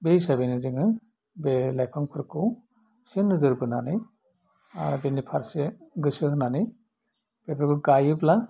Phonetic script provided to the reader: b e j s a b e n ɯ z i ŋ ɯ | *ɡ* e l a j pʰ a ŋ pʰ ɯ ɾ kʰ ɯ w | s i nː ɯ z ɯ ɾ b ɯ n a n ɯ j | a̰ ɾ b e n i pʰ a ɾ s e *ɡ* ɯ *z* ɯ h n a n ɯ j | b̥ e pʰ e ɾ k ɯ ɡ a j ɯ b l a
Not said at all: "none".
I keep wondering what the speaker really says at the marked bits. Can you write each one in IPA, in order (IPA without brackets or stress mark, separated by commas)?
b, ɡ, s